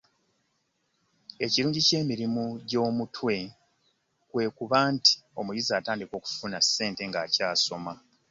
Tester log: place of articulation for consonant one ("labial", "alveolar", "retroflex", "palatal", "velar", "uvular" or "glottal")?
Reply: palatal